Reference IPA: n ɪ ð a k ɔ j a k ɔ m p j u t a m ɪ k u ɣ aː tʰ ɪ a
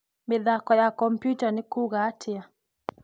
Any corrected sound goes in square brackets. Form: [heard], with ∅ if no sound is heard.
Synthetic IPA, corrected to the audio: [m] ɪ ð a k ɔ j a k ɔ m p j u t a [n] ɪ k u ɣ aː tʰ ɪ a